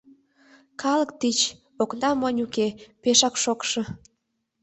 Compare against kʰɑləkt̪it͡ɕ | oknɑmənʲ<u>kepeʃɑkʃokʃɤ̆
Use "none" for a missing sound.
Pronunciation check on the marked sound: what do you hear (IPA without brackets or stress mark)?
u